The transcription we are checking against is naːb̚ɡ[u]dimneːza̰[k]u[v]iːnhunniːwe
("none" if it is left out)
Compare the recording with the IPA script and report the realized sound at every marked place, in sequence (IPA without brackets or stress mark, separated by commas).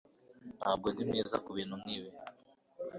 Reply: o, k, β